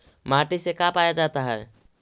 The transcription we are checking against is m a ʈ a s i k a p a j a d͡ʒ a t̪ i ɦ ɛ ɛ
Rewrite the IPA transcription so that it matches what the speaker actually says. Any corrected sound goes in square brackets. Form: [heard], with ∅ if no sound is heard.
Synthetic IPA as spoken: m a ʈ [i] s [e] k a p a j a d͡ʒ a t̪ [a] ɦ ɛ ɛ